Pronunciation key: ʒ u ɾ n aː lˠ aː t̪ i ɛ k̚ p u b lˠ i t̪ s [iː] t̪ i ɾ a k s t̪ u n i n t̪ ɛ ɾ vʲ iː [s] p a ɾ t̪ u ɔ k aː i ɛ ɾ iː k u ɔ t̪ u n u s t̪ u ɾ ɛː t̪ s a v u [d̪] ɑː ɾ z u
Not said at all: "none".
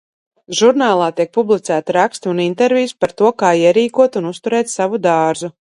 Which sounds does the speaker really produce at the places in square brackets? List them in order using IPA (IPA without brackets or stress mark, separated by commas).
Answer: æː, s, d̪